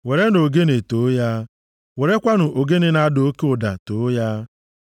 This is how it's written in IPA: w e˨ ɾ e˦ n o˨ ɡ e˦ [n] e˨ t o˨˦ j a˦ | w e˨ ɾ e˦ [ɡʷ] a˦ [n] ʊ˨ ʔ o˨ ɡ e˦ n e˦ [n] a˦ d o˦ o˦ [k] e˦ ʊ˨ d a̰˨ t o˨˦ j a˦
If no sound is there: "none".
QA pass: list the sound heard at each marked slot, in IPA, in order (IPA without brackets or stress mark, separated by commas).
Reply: n, kʷ, n, n, k